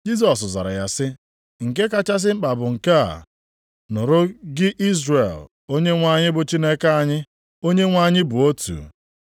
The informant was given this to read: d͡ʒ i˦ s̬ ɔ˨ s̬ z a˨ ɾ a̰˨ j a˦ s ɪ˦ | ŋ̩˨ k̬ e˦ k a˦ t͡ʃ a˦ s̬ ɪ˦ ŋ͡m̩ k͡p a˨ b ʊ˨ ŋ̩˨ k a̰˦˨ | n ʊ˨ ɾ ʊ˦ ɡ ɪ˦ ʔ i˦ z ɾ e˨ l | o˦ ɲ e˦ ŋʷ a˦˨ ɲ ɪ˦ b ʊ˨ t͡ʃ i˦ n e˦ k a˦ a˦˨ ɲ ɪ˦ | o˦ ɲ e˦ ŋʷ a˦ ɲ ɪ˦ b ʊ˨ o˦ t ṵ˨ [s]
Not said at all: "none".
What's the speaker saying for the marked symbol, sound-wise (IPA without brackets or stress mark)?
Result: none